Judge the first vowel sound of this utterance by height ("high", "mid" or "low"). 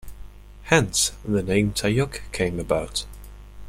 mid